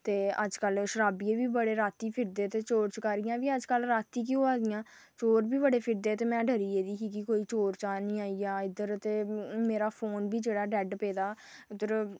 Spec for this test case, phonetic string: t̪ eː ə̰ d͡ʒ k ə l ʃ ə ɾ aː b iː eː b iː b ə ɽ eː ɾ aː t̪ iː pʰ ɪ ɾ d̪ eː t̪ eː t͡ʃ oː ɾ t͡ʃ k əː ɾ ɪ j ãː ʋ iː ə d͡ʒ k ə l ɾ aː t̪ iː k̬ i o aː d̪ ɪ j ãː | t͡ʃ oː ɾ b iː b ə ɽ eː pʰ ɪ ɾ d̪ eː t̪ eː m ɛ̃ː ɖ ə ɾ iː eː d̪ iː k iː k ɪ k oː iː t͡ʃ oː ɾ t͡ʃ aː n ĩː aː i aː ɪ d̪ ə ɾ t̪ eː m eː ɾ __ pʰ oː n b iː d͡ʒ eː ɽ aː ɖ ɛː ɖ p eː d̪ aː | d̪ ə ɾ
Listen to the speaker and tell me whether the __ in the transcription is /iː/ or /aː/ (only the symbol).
aː